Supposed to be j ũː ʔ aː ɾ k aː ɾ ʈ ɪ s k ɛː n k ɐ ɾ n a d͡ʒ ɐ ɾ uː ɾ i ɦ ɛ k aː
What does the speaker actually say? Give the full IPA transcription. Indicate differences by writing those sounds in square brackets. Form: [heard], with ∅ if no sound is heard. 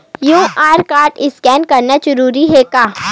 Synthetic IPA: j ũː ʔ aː ɾ k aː ɾ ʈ ɪ s k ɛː n k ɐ ɾ n a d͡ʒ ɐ ɾ uː ɾ i ɦ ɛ k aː